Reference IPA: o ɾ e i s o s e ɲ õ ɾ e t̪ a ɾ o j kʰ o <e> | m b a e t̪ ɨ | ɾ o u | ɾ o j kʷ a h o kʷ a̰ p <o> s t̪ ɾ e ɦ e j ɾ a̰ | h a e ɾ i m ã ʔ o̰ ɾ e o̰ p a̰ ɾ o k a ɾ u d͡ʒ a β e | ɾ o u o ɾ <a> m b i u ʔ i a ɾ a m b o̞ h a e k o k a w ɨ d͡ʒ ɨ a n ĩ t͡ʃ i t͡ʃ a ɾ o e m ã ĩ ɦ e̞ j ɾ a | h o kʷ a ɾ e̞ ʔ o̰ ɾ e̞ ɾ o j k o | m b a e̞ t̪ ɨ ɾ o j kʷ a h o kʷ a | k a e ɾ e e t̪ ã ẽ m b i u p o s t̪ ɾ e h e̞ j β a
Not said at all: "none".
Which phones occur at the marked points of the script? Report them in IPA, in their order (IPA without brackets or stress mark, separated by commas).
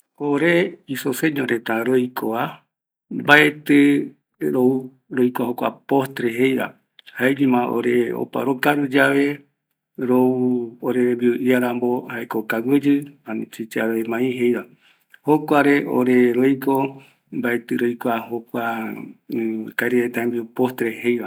a, o, e